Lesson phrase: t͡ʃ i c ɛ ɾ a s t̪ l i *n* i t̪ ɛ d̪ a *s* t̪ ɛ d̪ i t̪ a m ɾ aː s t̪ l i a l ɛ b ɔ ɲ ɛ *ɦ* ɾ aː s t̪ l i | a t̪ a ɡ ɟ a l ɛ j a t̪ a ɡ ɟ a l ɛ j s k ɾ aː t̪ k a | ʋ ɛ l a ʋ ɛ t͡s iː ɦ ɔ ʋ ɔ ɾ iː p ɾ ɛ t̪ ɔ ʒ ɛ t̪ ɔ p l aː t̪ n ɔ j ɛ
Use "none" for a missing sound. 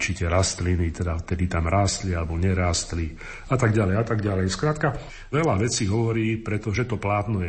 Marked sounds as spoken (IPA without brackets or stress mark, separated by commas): n, f, none